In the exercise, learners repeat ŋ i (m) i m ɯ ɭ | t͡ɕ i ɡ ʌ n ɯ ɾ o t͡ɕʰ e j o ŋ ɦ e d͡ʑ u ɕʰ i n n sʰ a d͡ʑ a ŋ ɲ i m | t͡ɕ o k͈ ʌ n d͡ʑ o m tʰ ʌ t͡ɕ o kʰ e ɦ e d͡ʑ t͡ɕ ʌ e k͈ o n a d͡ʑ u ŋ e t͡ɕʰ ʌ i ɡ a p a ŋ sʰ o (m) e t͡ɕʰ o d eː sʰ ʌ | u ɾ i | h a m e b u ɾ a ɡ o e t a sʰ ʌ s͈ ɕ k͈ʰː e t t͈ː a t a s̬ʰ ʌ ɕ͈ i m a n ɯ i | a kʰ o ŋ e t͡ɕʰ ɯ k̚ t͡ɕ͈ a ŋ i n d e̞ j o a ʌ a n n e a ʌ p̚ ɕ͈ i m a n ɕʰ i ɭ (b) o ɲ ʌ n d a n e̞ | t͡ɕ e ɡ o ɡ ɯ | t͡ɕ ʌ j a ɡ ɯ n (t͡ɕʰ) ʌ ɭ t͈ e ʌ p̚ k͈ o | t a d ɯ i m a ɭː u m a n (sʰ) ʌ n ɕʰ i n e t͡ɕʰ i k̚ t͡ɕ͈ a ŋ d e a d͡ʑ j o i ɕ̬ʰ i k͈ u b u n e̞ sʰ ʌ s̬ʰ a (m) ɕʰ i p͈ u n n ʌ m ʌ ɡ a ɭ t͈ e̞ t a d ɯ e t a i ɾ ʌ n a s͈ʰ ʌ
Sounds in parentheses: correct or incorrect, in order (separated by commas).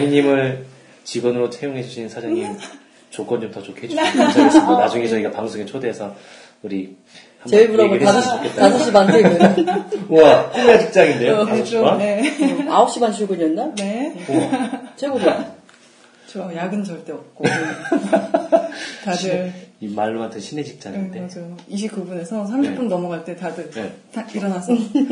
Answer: incorrect, incorrect, incorrect, incorrect, incorrect, correct